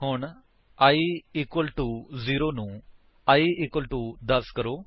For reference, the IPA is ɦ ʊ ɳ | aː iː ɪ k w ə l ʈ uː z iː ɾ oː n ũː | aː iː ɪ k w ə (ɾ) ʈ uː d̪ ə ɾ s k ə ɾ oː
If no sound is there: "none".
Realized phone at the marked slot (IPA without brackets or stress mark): l